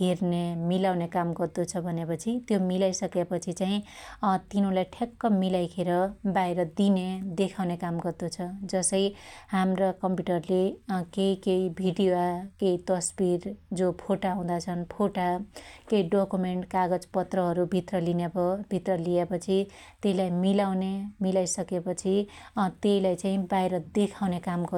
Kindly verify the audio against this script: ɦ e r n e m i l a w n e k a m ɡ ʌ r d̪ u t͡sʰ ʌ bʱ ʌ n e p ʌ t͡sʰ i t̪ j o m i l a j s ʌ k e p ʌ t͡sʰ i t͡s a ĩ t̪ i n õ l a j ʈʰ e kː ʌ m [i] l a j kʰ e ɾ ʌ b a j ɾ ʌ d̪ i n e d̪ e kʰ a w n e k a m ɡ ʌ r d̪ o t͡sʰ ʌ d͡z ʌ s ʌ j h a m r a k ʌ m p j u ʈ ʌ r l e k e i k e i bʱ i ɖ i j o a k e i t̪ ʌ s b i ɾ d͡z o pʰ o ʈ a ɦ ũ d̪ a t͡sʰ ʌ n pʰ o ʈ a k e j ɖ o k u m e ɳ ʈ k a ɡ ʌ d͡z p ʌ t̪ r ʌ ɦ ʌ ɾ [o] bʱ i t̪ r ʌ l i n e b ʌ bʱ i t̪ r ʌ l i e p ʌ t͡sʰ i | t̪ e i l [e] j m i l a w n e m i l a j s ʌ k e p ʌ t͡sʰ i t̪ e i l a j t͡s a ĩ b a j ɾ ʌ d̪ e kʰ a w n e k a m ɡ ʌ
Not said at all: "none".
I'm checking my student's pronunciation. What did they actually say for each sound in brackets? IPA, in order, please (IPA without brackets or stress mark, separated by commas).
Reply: i, u, a